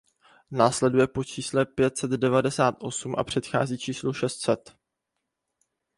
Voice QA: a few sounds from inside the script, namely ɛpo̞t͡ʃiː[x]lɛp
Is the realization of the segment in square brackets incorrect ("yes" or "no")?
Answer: yes